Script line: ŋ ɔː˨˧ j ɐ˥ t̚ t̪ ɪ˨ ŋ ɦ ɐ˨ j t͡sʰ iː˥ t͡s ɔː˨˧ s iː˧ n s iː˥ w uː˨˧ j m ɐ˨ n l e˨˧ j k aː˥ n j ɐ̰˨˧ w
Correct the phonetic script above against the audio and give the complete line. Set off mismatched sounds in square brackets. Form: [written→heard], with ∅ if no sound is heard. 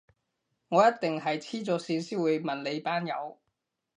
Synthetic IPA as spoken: ŋ ɔː˨˧ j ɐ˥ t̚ t̪ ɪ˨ ŋ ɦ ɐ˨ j t͡sʰ iː˥ t͡s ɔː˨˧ s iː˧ n s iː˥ w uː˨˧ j m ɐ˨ n l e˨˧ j [k→p] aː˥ n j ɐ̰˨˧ w